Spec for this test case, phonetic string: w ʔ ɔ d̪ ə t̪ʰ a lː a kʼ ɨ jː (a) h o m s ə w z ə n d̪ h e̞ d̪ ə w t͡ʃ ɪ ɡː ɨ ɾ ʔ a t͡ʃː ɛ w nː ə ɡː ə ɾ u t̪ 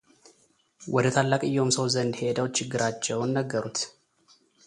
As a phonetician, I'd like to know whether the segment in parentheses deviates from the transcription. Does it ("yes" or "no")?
yes